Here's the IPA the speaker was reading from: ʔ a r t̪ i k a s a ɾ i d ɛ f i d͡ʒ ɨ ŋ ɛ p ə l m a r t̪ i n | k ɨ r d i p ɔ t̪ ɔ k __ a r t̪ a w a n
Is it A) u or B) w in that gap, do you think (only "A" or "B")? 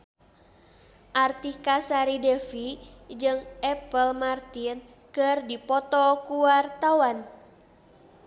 A